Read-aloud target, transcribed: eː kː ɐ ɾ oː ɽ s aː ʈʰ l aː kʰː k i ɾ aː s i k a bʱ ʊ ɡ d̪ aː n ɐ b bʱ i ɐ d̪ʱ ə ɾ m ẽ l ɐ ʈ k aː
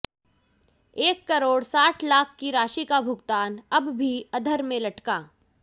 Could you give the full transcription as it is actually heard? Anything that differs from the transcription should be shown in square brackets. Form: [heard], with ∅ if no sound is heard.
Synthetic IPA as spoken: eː kː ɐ ɾ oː ɽ s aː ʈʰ l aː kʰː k i ɾ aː [ʃ] i k a bʱ ʊ ɡ [t̪] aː n ɐ b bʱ i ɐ d̪ʱ ə ɾ m ẽ l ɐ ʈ k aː